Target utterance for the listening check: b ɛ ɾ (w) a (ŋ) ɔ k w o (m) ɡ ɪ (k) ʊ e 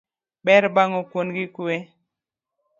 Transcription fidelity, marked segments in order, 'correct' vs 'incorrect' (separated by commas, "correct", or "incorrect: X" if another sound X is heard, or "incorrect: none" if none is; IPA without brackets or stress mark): incorrect: b, correct, incorrect: n, correct